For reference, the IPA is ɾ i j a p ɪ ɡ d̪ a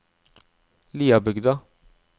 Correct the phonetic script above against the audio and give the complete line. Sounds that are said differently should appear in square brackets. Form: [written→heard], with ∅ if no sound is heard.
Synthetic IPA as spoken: [ɾ→l] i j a [p→b] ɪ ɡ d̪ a

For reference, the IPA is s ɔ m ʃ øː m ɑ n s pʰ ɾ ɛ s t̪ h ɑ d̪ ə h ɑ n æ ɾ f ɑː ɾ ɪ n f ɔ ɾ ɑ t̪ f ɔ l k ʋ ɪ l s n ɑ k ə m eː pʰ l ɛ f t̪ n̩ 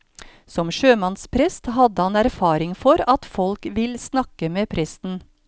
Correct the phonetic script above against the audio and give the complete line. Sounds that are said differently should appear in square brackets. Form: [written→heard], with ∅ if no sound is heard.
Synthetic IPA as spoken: s ɔ m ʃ øː m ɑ n s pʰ ɾ ɛ s t̪ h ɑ d̪ ə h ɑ n æ ɾ f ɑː ɾ ɪ [n→ŋ] f ɔ ɾ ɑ t̪ f ɔ l k ʋ ɪ l s n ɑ k ə m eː pʰ [l→ɾ] ɛ [f→s] t̪ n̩

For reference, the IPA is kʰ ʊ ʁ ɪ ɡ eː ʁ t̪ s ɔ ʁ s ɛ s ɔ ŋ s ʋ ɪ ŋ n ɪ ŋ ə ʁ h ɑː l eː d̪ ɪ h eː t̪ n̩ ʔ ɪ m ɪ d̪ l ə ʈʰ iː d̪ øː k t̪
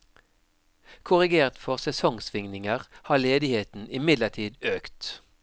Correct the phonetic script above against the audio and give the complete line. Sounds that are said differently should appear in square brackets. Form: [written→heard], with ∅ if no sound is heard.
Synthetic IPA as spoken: kʰ ʊ ʁ ɪ ɡ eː ʁ t̪ [s→f] ɔ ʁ s ɛ s ɔ ŋ s ʋ ɪ ŋ n ɪ ŋ ə ʁ h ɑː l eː d̪ ɪ h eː t̪ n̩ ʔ ɪ m ɪ d̪ l ə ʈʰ iː d̪ øː k t̪

